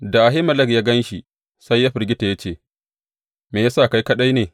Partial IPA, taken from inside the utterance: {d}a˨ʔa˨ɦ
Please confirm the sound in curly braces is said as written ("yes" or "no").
yes